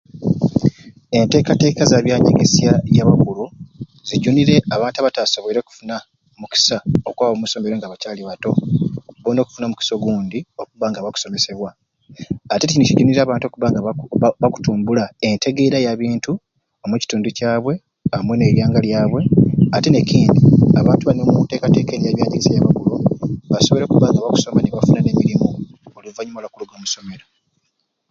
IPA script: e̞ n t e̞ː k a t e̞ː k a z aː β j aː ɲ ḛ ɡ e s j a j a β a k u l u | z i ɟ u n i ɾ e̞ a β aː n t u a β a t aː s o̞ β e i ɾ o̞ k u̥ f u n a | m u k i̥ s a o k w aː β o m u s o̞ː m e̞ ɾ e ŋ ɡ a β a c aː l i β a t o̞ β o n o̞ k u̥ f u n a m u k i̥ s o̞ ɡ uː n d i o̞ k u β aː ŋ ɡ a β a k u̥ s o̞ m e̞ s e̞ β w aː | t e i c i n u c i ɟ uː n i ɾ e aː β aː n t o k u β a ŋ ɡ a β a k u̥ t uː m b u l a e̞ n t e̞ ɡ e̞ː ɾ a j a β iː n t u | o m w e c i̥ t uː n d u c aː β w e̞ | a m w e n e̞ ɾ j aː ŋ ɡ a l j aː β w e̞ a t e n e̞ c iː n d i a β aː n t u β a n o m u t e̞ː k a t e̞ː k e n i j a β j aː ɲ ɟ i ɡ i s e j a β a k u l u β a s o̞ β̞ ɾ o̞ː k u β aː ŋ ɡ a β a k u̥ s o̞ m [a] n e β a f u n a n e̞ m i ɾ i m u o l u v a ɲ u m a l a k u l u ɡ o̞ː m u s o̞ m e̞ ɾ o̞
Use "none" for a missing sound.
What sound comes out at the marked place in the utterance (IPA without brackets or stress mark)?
a